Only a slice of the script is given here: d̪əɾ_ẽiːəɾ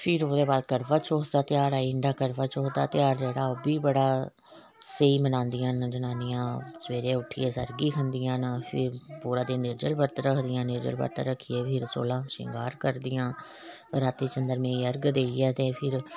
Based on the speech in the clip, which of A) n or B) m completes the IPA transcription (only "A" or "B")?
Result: B